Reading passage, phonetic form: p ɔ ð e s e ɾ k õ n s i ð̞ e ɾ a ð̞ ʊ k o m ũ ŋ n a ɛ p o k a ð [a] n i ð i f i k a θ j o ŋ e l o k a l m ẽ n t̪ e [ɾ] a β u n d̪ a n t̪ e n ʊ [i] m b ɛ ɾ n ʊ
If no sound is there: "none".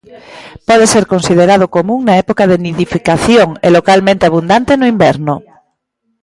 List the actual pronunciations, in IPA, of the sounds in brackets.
e, none, i

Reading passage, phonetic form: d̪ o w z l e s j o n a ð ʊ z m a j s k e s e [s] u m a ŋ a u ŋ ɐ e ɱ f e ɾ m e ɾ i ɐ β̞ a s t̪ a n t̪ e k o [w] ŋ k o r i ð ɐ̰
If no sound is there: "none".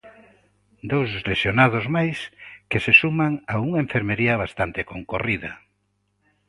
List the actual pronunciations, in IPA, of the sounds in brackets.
s, none

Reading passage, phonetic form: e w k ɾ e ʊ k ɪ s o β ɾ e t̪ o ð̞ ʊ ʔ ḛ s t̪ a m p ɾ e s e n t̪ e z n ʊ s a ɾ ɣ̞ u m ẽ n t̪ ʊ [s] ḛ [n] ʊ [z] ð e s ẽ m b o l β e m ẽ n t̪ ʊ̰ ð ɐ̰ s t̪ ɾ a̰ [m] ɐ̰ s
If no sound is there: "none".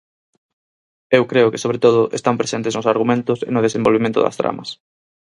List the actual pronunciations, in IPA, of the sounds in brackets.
s, n, none, m

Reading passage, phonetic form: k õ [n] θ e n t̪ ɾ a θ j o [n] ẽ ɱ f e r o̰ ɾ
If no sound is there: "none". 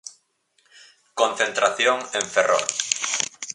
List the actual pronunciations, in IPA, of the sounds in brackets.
n, ŋ

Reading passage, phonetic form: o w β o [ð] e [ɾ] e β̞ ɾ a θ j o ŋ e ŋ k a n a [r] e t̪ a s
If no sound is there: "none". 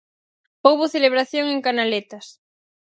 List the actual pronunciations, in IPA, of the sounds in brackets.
θ, l, l

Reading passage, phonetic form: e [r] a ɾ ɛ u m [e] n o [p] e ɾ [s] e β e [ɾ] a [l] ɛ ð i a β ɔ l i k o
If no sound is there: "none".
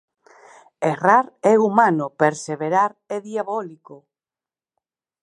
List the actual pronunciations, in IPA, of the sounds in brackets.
r, a, p, s, ɾ, ɾ

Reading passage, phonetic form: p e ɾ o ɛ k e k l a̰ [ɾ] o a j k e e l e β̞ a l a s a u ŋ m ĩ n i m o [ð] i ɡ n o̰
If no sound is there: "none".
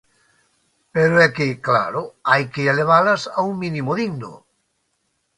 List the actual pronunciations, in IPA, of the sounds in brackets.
ɾ, ð

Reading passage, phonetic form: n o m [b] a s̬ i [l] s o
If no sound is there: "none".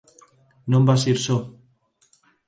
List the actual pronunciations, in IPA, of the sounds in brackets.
b, ɾ

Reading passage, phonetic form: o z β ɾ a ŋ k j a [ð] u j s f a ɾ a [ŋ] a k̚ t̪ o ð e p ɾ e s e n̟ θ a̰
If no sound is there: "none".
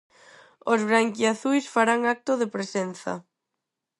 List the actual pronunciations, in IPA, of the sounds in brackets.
θ, ŋ

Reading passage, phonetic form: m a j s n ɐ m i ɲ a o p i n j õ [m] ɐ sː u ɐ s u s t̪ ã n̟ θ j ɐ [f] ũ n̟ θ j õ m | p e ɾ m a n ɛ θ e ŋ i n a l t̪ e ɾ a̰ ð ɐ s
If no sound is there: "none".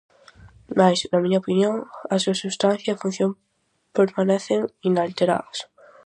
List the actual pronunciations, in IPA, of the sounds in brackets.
ŋ, f

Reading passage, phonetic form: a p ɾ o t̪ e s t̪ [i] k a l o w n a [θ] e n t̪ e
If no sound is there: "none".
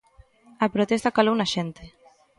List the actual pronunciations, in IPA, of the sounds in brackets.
a, ʃ

